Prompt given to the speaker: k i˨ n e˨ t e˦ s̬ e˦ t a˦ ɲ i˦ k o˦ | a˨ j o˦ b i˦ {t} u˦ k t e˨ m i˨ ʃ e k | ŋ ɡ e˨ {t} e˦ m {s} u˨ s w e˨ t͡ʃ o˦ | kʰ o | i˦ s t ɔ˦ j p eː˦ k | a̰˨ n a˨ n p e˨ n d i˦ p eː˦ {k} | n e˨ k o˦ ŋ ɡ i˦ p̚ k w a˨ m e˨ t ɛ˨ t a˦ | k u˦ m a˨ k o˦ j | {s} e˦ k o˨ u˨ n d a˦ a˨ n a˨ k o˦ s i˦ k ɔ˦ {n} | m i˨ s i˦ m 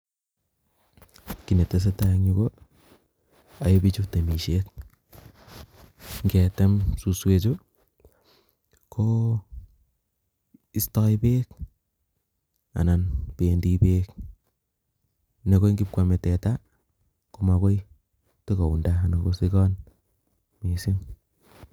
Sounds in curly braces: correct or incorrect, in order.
incorrect: t͡ʃ, correct, correct, correct, incorrect: t, correct

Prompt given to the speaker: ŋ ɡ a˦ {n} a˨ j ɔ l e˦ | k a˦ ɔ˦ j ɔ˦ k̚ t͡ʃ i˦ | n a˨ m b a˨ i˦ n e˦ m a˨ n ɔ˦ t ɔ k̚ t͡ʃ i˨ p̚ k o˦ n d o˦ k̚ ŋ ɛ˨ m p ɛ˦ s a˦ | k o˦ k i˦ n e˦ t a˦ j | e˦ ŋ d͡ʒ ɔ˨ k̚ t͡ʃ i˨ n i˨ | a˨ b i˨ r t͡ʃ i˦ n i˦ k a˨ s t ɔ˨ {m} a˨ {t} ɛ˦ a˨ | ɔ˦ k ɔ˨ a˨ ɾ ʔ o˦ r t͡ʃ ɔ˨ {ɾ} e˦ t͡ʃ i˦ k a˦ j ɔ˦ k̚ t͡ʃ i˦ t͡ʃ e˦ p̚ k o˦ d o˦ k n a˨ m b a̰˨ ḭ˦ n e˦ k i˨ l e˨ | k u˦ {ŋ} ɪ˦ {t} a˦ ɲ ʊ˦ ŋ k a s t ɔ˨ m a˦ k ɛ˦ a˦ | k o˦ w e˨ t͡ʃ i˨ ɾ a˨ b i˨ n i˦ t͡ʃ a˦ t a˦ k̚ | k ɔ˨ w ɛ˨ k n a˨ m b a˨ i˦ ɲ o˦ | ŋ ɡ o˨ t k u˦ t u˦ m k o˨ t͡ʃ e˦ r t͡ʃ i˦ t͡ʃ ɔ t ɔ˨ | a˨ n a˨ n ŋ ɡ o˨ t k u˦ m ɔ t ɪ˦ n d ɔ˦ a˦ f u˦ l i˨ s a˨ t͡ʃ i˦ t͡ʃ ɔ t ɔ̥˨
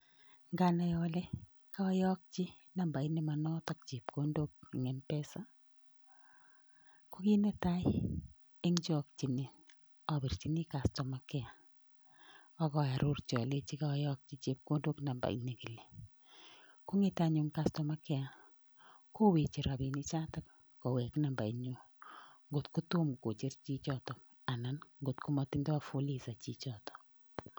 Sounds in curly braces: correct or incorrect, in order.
correct, correct, incorrect: k, incorrect: l, correct, correct

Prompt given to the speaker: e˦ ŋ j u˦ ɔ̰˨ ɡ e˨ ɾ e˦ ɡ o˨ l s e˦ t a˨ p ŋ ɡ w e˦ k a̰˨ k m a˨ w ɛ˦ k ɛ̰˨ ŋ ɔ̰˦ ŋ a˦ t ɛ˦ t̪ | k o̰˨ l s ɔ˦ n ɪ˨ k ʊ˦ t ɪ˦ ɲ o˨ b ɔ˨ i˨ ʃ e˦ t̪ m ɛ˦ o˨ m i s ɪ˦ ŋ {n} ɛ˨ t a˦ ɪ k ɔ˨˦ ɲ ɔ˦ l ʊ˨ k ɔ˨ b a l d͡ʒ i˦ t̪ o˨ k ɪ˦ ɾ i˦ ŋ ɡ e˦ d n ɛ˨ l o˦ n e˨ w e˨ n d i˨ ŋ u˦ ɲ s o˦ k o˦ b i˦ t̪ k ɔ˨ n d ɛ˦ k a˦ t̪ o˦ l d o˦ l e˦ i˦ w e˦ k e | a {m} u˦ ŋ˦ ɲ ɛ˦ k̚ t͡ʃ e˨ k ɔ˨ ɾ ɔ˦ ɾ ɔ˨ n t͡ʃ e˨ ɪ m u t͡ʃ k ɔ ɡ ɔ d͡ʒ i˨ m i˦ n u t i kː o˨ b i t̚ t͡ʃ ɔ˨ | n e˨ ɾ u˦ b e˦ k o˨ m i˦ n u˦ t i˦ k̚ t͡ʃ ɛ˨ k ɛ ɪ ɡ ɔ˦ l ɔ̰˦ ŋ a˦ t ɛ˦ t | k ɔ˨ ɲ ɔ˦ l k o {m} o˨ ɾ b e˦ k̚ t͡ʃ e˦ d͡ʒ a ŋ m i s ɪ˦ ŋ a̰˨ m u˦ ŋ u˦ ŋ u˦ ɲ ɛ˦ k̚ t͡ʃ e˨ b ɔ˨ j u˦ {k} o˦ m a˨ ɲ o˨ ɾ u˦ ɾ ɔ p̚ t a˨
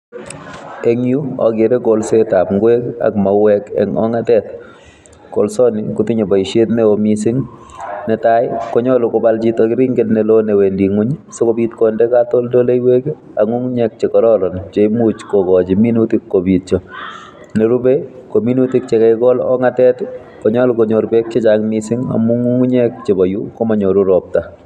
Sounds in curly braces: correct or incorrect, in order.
correct, incorrect: ŋ, incorrect: ɲ, correct

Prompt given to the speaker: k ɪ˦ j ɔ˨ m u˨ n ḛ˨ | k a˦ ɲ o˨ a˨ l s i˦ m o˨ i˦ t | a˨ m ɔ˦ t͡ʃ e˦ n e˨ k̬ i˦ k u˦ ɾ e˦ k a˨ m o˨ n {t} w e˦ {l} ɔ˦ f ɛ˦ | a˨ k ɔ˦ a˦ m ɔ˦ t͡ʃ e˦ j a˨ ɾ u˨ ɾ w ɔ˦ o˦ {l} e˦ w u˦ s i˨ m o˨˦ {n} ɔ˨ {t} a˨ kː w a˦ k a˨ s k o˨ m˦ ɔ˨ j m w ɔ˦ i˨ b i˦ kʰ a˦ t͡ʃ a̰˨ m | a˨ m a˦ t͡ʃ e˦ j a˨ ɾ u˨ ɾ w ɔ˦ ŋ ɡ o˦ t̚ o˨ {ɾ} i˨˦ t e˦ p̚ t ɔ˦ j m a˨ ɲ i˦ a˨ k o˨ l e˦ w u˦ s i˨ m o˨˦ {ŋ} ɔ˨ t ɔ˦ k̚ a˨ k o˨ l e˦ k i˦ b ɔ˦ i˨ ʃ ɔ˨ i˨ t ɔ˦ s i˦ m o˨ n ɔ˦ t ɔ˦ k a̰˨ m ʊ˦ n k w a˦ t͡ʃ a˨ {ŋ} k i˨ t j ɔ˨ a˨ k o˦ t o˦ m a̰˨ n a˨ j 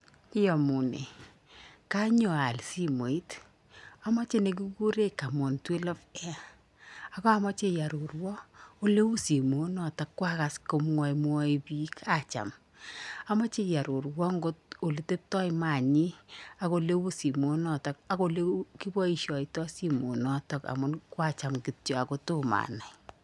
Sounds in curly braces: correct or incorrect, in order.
correct, correct, correct, correct, correct, incorrect: l, incorrect: n, incorrect: m

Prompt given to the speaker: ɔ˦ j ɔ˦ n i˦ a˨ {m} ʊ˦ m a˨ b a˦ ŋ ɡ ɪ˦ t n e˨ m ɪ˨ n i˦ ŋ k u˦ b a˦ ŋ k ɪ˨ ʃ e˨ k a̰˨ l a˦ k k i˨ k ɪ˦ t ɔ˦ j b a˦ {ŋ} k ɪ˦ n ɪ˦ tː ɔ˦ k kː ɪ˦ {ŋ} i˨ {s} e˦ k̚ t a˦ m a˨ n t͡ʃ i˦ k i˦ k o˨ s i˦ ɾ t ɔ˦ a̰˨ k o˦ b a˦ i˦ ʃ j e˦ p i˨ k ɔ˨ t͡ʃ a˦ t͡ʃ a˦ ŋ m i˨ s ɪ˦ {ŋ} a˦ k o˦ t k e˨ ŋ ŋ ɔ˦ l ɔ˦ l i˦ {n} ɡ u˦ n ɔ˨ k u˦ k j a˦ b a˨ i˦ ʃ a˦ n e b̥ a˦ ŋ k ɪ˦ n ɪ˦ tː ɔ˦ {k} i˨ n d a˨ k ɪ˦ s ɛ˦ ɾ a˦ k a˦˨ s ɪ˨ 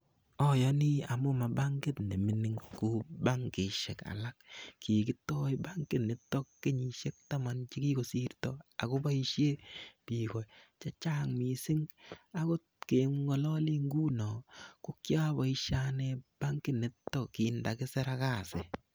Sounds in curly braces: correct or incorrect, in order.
correct, correct, incorrect: ɲ, incorrect: ʃ, correct, incorrect: ŋ, correct

